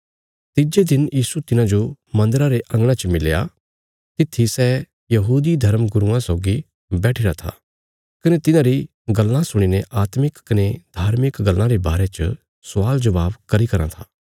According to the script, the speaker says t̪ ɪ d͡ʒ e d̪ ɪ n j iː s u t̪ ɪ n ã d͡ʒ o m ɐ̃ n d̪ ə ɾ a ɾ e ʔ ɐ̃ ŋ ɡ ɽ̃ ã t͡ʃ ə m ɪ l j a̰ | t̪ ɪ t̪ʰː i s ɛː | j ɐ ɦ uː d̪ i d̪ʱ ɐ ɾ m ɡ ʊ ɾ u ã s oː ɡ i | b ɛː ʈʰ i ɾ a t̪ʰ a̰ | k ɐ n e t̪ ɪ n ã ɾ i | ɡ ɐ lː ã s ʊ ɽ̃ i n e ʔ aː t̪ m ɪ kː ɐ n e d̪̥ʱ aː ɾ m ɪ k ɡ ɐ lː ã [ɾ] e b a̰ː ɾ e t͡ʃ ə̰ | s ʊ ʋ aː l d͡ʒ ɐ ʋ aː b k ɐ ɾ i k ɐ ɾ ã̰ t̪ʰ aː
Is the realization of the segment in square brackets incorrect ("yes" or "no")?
no